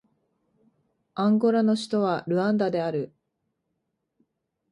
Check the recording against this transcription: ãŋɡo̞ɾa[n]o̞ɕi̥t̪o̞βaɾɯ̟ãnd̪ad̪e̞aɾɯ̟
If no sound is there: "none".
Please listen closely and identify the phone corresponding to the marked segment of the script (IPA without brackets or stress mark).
n